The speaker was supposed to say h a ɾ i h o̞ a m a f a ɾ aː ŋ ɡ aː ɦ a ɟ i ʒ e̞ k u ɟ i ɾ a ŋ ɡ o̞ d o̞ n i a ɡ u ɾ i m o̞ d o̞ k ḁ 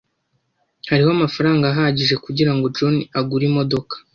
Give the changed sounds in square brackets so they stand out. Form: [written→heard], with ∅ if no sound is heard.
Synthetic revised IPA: h a ɾ i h o̞ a m a f a ɾ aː ŋ ɡ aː ɦ a ɟ i ʒ e̞ k u ɟ i ɾ a ŋ ɡ o̞ [d→d͡ʒ] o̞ n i a ɡ u ɾ i m o̞ d o̞ k ḁ